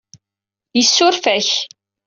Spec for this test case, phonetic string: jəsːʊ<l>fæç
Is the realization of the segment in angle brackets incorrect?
yes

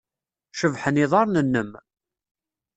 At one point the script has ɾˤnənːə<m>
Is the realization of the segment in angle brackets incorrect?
no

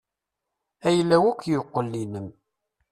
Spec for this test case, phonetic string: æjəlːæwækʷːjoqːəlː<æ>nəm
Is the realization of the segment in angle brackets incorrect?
yes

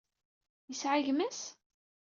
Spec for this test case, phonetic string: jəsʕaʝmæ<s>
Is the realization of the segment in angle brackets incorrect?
no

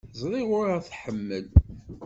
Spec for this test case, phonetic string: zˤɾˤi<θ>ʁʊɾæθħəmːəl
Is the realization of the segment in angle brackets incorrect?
yes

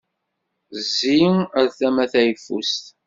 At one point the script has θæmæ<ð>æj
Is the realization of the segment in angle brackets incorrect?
yes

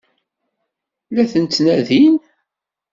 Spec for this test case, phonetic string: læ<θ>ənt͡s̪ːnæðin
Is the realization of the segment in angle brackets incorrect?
no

